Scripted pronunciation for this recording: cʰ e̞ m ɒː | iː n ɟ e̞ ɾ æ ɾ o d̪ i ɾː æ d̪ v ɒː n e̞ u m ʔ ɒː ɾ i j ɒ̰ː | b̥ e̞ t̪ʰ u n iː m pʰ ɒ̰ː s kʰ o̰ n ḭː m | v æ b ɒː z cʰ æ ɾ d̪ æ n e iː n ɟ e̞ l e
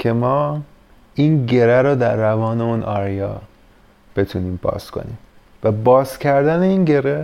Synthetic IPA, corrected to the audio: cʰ e̞ m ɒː | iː n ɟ e̞ ɾ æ ɾ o d̪ æ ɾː æ v ɒː n e̞ u n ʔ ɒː ɾ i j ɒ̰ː | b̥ e̞ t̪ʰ u n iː m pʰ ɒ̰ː s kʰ o̰ n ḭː m | v æ b ɒː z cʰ æ ɾ d̪ æ n e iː n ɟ e̞ ɾ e